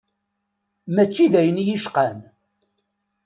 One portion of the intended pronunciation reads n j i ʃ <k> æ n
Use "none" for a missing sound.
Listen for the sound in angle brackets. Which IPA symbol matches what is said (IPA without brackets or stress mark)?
q